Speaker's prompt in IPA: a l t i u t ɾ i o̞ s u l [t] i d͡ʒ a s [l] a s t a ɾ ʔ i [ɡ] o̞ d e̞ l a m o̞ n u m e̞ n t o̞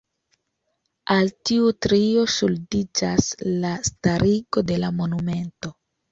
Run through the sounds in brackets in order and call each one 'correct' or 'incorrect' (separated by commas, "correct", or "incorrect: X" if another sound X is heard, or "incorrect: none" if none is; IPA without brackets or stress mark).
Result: incorrect: d, correct, correct